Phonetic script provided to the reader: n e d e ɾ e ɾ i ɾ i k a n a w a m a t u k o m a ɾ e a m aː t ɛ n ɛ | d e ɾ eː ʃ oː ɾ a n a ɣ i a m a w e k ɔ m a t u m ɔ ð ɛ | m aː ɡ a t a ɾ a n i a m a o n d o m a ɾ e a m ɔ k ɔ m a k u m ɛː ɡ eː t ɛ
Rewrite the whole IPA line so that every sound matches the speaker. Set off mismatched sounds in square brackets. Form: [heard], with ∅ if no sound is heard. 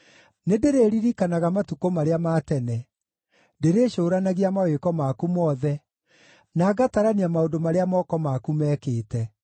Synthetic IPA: n e d e ɾ e ɾ i ɾ i k a n a [ɣ] a m a t u k o m a ɾ e a m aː t ɛ n ɛ | d e ɾ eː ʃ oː ɾ a n a ɣ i a m a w e k ɔ m a [k] u m ɔ ð ɛ | [n] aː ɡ a t a ɾ a n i a m a o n d o m a ɾ e a m ɔ k ɔ m a k u m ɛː [k] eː t ɛ